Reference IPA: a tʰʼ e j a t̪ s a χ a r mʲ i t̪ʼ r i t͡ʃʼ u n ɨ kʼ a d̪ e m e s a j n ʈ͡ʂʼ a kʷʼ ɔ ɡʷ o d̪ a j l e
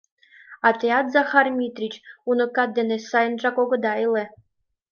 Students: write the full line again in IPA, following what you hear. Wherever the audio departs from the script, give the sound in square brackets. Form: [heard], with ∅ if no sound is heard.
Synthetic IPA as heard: a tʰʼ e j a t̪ [z] a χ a r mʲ i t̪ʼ r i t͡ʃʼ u n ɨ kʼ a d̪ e [n] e s a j n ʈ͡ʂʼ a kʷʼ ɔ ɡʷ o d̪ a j l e